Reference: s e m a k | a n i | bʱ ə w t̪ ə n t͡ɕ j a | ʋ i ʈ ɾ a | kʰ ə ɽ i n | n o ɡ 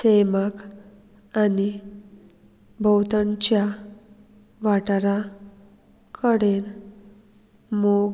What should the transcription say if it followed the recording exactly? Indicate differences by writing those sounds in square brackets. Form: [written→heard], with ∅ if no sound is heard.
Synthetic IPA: s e m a k | a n i | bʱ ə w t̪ ə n t͡ɕ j a | ʋ [i→a] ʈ ɾ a | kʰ ə ɽ [i→e] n | [n→m] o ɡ